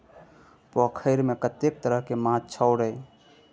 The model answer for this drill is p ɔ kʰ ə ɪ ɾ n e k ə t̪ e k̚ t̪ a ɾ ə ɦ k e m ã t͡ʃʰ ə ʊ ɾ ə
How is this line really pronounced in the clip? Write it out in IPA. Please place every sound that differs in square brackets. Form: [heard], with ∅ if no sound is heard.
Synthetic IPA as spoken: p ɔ kʰ ə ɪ ɾ [m] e k ə t̪ e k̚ t̪ [ə] ɾ ə ɦ k e m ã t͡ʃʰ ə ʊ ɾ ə